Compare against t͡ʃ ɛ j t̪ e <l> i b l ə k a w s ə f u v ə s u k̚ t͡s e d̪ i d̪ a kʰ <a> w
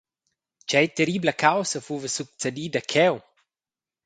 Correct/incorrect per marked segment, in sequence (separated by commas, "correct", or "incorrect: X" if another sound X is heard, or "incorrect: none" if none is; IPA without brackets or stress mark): incorrect: ɾ, incorrect: ɛ